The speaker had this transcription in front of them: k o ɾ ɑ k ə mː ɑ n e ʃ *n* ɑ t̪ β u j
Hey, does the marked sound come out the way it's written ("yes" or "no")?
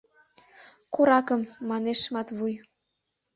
no